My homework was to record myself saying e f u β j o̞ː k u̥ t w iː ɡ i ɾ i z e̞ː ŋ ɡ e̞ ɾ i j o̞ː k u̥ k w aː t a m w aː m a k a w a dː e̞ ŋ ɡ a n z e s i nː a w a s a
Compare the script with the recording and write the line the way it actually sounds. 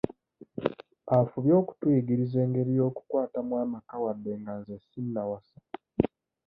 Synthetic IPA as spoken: a f u β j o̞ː k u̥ t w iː ɡ i ɾ i z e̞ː ŋ ɡ e̞ ɾ i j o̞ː k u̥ k w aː t a m w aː m a k a w a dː e̞ ŋ ɡ a n z e s i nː a w a s a